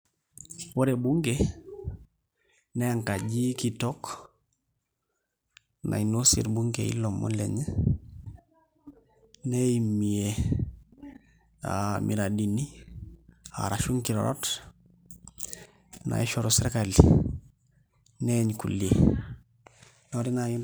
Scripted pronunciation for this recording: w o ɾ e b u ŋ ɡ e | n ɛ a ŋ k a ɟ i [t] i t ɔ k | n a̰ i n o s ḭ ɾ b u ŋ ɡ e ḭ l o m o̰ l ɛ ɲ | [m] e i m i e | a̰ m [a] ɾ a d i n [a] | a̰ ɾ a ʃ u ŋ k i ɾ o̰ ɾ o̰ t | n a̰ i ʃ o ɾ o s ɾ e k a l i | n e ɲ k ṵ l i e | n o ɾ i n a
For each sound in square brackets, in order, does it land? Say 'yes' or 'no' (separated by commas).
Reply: no, no, no, no